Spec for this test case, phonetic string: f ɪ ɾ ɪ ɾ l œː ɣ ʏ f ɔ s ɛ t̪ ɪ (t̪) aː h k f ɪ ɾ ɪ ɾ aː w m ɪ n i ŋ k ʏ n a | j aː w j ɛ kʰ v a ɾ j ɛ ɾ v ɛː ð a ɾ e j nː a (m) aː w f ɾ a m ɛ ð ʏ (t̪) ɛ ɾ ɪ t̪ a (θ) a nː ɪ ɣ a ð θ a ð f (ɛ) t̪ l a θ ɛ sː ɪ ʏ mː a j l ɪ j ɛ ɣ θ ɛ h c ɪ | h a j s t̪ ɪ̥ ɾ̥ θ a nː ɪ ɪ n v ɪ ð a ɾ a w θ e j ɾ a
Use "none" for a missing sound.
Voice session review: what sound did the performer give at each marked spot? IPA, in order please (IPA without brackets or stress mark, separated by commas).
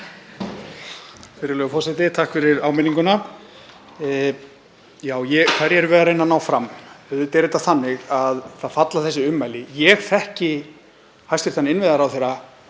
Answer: t̪ʰ, n, t̪, θ, a